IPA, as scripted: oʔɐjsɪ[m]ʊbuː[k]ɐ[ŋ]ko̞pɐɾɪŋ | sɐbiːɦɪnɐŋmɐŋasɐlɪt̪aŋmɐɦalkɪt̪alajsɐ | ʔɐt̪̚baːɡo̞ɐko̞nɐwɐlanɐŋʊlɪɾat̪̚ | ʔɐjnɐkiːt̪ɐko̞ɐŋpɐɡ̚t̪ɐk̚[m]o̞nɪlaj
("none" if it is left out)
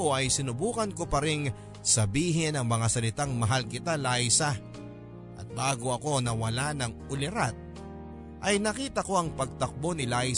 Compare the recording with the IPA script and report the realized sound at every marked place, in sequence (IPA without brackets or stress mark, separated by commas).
n, k, n, b